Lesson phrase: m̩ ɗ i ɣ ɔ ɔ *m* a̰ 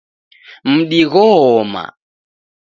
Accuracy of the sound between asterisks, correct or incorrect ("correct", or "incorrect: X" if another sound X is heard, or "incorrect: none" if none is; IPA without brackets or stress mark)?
correct